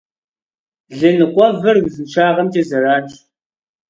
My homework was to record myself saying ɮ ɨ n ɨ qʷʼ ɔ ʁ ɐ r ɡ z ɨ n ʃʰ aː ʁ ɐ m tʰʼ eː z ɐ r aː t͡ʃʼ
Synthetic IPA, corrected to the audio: ɮ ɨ n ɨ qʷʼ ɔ v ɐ r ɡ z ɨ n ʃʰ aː ʁ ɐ m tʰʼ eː z ɐ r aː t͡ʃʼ

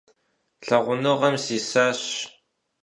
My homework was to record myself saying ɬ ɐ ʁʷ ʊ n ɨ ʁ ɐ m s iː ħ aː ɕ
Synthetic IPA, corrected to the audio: ɬ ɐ ʁʷ ʊ n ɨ ʁ ɐ m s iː s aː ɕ

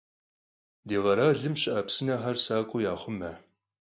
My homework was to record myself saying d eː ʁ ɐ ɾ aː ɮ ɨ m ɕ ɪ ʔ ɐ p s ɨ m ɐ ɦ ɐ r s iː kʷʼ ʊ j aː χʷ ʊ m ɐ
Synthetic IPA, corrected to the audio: d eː ʁ ɐ ɾ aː ɮ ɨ m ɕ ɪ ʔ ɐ p s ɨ n ɐ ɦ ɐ r s aː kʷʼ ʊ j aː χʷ ʊ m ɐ

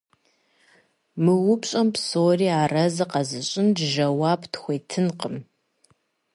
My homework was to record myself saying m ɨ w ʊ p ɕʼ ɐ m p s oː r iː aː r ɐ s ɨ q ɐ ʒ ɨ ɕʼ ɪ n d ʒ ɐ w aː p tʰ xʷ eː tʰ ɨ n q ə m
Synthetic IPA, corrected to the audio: m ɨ w ʊ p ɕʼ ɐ m p s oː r iː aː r ɐ z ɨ q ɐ z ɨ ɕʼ ɪ n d ʒ ɐ w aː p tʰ xʷ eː tʰ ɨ n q ə m

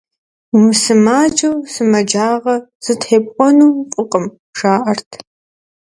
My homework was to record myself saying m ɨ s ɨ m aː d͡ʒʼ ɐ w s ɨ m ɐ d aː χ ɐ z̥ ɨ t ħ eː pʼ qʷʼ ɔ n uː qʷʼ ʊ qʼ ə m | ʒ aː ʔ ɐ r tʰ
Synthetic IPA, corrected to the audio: m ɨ s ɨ m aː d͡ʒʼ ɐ w s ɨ m ɐ d͡ʒ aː ʁ ɐ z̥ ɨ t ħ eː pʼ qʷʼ ɔ n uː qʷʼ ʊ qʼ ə m | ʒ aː ʔ ɐ r tʰ

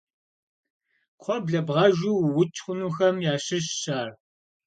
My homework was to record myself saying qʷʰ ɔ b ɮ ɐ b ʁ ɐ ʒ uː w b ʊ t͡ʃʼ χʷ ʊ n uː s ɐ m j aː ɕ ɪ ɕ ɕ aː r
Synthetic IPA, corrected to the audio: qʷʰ ɔ b ɮ ɐ b ʁ ɐ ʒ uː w w ʊ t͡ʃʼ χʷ ʊ n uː x ɐ m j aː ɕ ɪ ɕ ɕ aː r

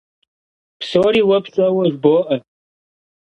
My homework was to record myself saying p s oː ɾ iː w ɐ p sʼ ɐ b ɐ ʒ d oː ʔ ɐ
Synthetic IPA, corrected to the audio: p s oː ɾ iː w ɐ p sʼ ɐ w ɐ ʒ b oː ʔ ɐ

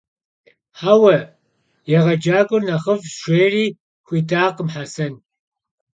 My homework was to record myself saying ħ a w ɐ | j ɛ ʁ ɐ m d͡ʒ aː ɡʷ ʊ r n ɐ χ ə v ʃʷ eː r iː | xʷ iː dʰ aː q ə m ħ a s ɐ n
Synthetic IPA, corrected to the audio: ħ a w ɐ | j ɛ ʁ ɐ d͡ʒ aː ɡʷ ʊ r n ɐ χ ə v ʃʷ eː r iː | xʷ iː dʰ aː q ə m ħ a s ɐ n

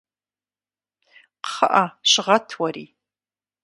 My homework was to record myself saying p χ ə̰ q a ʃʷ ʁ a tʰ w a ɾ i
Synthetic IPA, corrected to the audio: q χ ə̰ ʔ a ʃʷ ʁ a tʰ w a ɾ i

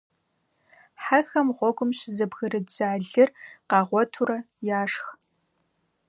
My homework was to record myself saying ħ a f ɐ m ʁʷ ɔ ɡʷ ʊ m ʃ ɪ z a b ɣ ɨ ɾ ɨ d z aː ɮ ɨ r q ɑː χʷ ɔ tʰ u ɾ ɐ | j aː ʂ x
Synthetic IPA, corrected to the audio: ħ a x ɐ m ʁʷ ɔ ɡʷ ʊ m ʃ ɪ z ɐ b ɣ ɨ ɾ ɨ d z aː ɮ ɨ r q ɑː ʁʷ ɔ tʰ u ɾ ɐ | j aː ʂ x

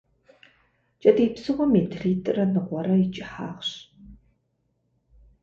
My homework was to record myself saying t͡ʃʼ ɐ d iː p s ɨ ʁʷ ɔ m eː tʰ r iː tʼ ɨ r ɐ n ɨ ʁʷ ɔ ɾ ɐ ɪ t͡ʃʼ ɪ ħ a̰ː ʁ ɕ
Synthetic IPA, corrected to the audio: t͡ʃʼ ɐ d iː p s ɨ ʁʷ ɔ m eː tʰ r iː tʼ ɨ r ɐ n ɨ ʁʷ ɔ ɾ ɐ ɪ t͡ʃʼ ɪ ħ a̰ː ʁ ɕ

